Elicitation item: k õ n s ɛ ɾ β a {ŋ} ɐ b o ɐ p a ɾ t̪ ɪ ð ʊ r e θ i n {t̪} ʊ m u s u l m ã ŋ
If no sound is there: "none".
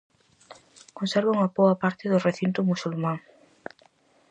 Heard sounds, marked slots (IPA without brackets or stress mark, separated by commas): ŋ, t̪